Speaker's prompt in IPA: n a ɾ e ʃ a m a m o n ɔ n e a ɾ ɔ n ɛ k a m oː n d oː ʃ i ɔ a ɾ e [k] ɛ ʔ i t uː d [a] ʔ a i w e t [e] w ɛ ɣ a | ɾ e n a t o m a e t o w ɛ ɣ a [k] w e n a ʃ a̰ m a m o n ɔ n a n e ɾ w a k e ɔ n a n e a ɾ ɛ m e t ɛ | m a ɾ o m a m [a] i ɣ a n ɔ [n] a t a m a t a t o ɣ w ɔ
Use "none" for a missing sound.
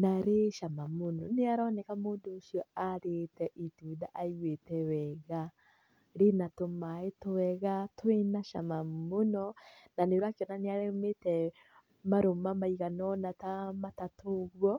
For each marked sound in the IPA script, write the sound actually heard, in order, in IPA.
t, a, ɛ, t, a, n

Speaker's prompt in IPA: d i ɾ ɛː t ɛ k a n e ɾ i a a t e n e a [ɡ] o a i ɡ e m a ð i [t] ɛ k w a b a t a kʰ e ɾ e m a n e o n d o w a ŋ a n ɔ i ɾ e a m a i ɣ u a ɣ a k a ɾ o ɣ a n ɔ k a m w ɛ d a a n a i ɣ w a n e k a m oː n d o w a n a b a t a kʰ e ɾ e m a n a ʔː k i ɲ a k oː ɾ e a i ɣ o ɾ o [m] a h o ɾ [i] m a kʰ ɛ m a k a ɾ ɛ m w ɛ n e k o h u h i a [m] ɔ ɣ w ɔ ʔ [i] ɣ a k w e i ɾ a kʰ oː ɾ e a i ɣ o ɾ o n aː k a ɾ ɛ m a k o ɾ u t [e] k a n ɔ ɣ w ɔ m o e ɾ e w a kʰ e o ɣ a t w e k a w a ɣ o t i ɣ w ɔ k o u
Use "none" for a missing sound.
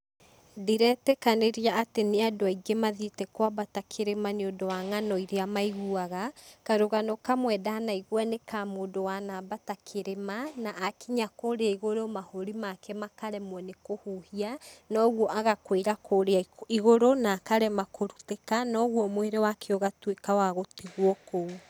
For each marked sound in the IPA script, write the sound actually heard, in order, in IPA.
d, t, m, i, n, a, e

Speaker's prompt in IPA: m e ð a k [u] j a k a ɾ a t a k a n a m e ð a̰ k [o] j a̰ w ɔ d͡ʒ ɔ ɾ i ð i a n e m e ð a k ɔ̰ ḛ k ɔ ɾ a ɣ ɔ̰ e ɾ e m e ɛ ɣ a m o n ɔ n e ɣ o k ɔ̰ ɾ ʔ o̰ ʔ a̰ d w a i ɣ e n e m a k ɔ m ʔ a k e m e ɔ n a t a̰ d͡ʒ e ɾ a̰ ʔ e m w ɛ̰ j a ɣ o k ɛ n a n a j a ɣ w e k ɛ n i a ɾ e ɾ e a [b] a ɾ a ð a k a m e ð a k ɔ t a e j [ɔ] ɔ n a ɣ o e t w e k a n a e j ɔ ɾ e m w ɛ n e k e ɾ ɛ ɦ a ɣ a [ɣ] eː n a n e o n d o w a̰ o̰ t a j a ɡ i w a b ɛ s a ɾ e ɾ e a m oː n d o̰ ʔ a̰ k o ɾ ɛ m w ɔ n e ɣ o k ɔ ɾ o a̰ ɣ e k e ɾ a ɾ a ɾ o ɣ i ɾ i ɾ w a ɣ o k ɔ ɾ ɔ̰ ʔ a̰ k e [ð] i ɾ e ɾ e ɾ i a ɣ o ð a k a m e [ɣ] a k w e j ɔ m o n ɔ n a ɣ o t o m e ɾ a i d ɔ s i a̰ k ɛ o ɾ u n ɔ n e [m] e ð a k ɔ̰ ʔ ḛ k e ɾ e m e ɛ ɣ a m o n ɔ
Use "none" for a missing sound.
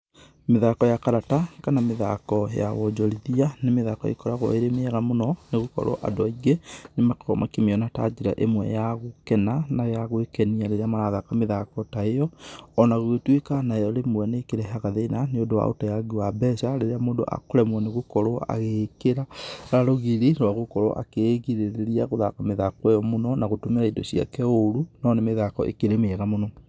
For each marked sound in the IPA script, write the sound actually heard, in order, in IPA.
ɔ, ɔ, m, ɔ, ð, ɣ, ð, m

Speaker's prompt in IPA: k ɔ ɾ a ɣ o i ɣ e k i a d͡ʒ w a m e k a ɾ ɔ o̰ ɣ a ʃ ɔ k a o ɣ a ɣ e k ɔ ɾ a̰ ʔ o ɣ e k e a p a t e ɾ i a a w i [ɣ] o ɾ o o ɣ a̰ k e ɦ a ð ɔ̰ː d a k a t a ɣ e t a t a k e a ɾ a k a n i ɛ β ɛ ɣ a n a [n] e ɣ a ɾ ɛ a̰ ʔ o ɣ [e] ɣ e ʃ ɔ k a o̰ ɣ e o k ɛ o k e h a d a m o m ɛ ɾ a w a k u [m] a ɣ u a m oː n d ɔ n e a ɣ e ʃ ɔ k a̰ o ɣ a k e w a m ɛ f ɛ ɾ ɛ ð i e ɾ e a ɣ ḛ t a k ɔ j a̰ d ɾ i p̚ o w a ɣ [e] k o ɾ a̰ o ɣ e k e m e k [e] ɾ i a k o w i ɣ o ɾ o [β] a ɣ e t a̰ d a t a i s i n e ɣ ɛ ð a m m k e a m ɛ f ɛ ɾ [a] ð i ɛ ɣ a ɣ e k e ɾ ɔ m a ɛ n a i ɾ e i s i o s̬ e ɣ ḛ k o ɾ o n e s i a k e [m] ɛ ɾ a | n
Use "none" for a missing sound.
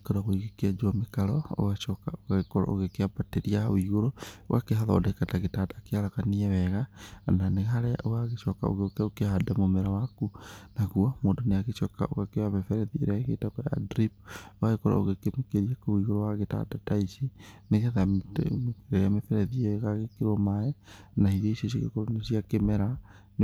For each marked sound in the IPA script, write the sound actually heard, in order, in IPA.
ɣ, n, a, n, e, e, w, ɛ, m

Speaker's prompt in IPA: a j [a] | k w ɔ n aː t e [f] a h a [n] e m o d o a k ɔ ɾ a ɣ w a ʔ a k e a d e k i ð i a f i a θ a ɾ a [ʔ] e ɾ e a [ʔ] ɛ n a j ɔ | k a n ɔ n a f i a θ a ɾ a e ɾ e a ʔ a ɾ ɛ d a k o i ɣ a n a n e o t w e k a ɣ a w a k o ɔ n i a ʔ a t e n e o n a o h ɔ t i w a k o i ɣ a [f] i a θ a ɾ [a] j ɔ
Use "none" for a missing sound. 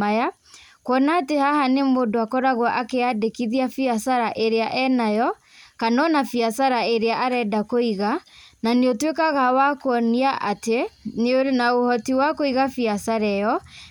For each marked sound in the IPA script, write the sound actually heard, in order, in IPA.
a, h, n, ʔ, ʔ, f, ɛ

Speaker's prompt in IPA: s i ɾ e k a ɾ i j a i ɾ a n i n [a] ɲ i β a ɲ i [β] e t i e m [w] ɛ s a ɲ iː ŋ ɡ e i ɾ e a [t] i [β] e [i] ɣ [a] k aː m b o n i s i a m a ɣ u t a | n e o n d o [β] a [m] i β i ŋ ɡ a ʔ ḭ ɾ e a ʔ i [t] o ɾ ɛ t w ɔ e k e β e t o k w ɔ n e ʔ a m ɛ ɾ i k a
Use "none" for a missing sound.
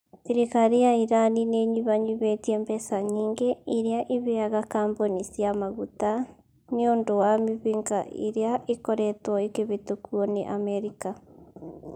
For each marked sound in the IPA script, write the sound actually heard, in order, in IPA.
e, β, b, ʔ, β, a, a, w, m, k

